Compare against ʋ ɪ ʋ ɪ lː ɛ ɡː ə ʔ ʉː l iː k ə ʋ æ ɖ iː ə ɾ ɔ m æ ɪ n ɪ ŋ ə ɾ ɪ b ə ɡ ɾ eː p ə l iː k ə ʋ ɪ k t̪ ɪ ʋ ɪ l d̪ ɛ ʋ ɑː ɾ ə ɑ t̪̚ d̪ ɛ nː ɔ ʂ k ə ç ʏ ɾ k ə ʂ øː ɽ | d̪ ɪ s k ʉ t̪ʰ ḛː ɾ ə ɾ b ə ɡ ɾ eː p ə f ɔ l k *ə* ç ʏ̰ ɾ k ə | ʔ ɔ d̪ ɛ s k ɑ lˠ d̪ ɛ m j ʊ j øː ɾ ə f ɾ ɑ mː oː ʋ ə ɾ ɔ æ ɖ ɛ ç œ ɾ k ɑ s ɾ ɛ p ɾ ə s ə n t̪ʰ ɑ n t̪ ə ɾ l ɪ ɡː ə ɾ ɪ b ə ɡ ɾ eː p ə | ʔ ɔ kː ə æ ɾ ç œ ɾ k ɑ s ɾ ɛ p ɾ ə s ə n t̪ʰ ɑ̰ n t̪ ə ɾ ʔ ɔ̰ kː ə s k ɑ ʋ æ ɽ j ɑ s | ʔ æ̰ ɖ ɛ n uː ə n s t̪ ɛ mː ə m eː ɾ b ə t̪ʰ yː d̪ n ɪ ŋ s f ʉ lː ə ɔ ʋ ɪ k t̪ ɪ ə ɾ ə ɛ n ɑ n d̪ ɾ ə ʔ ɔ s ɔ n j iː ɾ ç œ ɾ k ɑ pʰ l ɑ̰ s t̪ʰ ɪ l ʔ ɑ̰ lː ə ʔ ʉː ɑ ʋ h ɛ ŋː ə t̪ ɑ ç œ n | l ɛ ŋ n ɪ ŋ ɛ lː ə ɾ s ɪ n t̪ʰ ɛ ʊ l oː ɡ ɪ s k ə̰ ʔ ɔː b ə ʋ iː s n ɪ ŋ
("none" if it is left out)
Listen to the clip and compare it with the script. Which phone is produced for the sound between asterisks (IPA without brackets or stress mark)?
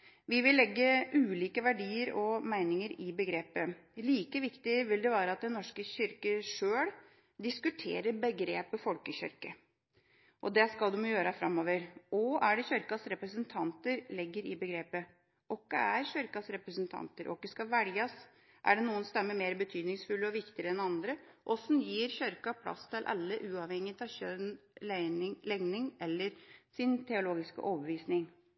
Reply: ə